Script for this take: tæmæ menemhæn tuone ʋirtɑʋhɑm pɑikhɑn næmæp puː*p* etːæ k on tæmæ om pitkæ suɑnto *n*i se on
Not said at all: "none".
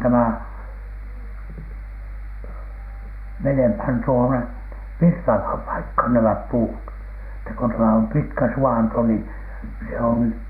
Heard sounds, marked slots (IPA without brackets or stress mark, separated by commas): t, n